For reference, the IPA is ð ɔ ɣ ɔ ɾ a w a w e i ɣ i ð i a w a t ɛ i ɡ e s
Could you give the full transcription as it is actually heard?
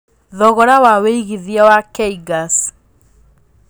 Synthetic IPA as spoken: ð ɔ ɣ ɔ ɾ a w a w e i ɣ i ð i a w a k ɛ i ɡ a s